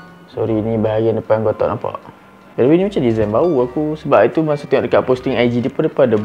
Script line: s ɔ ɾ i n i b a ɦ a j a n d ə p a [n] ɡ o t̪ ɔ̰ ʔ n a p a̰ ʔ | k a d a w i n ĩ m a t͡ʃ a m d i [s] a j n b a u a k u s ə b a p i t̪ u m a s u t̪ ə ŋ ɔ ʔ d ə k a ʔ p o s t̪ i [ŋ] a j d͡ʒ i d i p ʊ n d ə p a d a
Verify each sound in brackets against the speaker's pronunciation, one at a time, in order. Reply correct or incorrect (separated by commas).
correct, incorrect, correct